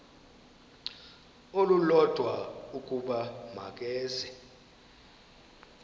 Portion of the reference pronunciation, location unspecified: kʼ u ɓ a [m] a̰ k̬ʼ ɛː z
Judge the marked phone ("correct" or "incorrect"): correct